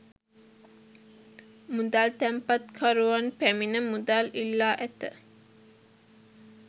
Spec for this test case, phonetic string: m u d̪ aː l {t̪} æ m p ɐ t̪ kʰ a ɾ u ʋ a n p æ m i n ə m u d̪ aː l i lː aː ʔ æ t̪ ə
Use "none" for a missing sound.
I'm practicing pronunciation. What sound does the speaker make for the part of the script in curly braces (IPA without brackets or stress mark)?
t̪